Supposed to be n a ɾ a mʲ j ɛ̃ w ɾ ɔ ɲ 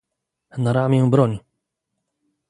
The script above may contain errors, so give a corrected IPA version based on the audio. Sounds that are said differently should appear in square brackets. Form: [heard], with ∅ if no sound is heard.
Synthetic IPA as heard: n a ɾ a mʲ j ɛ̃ [b] ɾ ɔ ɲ